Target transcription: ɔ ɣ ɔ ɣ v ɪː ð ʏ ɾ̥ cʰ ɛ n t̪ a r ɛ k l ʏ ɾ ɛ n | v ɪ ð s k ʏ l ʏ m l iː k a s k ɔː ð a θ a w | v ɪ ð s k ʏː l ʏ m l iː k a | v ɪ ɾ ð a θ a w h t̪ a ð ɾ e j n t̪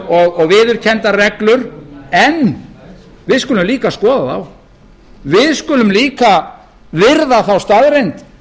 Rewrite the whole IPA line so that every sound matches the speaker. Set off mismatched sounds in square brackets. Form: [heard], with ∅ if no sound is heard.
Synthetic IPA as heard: ɔ ɣ ɔ ɣ v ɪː ð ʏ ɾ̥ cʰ ɛ n t̪ a r ɛ k l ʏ ɾ ɛ n | v ɪ ð s k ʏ l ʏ m l iː k a s k ɔː ð a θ a w | v ɪ ð s k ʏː l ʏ m l iː k a | v ɪ ɾ ð a θ a w [s] t̪ a ð ɾ e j n t̪